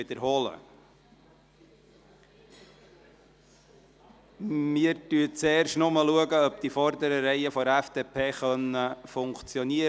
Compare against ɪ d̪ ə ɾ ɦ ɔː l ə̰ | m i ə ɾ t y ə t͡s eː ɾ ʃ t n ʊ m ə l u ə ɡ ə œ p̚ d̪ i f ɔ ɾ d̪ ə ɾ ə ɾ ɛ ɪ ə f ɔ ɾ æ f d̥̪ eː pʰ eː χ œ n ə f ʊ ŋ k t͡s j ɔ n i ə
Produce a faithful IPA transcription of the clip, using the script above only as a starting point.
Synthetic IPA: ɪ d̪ ə ɾ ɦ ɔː l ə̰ | m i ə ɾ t y ə t͡s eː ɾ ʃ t n ʊ m ə l u ə ɡ ə œ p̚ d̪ i f ɔ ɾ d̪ ə ɾ ə ɾ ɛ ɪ ə f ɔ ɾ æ f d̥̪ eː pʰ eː χ œ n ə f ʊ ŋ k t͡s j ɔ n i ə